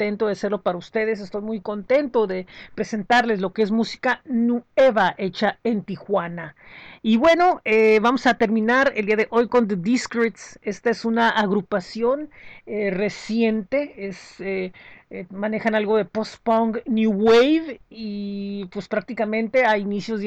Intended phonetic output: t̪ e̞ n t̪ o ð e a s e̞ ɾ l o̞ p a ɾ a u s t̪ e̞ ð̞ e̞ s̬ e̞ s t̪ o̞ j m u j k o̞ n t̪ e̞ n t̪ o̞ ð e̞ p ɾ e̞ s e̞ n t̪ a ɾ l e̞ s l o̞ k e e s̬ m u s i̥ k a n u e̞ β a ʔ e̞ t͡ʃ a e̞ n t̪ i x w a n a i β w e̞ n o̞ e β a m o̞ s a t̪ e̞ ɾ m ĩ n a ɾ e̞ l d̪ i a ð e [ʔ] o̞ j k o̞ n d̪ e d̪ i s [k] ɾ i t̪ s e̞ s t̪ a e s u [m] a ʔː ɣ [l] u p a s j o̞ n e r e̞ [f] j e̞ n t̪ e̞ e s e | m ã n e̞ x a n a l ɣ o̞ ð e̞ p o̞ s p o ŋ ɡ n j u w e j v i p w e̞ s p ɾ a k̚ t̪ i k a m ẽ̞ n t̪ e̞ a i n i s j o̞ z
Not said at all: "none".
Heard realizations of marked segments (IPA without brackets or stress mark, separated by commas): ʔ, k, n, ɾ, s